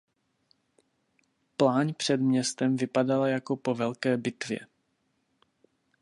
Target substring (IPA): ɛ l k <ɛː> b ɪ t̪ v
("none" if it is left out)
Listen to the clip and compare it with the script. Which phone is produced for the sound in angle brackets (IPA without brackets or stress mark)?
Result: ɛː